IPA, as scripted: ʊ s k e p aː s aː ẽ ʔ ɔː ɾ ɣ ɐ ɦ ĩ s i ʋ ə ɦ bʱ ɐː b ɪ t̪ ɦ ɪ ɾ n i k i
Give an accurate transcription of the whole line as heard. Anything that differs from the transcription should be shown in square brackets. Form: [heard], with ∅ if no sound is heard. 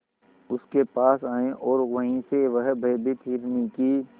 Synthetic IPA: ʊ s k e p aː s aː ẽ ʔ ɔː ɾ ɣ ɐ ɦ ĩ s [e] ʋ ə ɦ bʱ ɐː b ɪ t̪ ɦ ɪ ɾ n i k i

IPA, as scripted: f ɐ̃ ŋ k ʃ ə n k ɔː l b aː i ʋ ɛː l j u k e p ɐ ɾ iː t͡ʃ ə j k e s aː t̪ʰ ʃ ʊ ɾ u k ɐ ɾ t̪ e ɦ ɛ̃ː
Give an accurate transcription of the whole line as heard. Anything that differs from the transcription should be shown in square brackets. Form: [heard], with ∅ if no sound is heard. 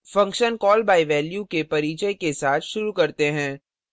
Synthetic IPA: f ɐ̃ ŋ k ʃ ə n k ɔː l b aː i ʋ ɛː l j u k e p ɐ ɾ iː t͡ʃ ə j k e s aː t̪ʰ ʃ ʊ ɾ u k ɐ ɾ t̪ e ɦ ɛ̃ː

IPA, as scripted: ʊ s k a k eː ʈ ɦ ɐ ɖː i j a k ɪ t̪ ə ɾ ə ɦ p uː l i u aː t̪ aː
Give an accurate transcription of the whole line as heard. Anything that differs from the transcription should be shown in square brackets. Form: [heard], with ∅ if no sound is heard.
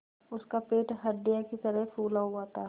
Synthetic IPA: ʊ s k a [p] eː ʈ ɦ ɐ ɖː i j a k [i] t̪ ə ɾ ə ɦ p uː l [a] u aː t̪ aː

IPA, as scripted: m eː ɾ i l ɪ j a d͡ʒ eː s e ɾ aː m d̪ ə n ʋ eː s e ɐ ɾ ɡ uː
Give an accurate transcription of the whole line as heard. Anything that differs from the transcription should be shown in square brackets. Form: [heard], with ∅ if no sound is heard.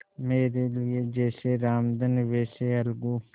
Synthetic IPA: m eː ɾ [e] l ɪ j [e] d͡ʒ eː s e ɾ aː m d̪ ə n ʋ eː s e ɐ [l] ɡ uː

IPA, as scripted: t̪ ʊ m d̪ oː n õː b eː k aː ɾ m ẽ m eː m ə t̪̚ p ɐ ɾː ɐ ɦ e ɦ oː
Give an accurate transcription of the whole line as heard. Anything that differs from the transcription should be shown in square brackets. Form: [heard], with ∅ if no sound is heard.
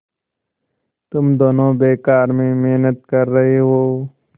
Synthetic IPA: t̪ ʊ m d̪ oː n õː b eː k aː ɾ m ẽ m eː [n] ə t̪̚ [k] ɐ ɾː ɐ ɦ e ɦ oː

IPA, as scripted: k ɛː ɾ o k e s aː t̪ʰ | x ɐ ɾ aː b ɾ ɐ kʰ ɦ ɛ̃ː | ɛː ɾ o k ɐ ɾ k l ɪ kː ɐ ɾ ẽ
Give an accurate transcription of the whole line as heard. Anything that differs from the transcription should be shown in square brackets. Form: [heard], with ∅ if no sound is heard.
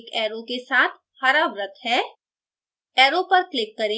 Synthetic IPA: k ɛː ɾ o k e s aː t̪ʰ | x ɐ ɾ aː b ɾ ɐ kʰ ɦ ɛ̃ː | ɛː ɾ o [p] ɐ ɾ k l ɪ kː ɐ ɾ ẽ

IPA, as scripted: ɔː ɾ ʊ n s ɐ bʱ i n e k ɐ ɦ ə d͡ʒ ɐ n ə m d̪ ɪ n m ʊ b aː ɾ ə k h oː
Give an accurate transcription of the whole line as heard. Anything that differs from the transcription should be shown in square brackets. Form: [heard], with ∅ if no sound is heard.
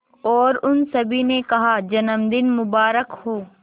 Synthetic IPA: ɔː ɾ ʊ n s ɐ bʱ i n e k ɐ ɦ [a] d͡ʒ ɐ n ə m d̪ ɪ n m ʊ b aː ɾ ə k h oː

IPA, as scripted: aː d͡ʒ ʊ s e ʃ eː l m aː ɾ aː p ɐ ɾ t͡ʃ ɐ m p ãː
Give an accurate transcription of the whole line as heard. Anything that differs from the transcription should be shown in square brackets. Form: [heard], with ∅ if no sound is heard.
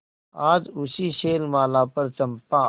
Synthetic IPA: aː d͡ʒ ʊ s [i] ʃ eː l m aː [l] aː p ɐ ɾ t͡ʃ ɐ m p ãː

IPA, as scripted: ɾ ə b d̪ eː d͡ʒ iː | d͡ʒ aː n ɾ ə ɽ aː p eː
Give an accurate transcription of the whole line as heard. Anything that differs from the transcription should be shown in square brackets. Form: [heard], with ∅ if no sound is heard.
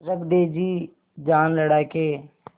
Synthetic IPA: ɾ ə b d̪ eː d͡ʒ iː | d͡ʒ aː n [l] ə ɽ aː [k] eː

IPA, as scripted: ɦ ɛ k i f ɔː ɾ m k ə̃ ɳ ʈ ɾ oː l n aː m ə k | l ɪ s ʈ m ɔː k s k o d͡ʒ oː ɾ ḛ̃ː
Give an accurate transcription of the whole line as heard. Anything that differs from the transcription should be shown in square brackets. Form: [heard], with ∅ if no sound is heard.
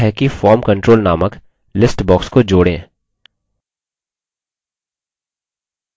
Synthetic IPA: ɦ ɛ k i f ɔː ɾ m k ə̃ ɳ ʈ ɾ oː l n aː m ə k | l ɪ s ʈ [b] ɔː k s k o d͡ʒ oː [ɽ] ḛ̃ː

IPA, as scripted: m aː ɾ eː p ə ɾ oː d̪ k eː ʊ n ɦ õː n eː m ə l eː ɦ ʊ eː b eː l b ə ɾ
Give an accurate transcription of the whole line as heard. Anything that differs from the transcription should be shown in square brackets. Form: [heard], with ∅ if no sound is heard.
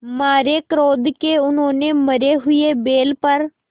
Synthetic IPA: m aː ɾ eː [k] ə ɾ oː d̪ k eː ʊ n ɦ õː n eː m ə [ɾ] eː ɦ ʊ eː b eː l [p] ə ɾ

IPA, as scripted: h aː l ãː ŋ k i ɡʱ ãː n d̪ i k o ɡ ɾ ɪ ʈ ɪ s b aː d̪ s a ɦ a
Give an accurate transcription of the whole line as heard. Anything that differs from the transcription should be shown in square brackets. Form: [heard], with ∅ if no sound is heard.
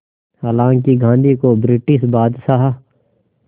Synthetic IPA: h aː l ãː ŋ k i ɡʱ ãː n d̪ i k o [b] ɾ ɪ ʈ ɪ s b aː d̪ s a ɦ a

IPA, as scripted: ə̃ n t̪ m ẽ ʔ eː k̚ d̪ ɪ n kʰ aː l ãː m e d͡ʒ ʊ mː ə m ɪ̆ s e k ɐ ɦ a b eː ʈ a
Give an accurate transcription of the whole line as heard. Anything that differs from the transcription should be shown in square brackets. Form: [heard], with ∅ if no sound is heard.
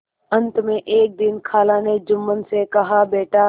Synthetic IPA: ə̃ n t̪ m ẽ ʔ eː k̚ d̪ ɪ n kʰ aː l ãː [n] e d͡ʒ ʊ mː ə [n] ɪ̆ s e k ɐ ɦ a b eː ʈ a

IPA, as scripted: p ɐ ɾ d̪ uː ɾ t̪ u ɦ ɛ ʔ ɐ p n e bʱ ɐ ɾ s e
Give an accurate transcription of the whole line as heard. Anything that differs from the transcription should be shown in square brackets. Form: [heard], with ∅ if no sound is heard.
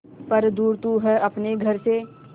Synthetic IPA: p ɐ ɾ d̪ uː ɾ t̪ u ɦ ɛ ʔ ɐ p n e [ɡʱ] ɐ ɾ s e

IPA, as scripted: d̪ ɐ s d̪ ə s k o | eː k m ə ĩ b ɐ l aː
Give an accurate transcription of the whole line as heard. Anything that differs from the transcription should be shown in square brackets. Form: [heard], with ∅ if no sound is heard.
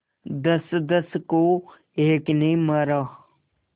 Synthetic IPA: d̪ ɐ s d̪ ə s k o | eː k [n] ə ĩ [m] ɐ [ɾ] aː

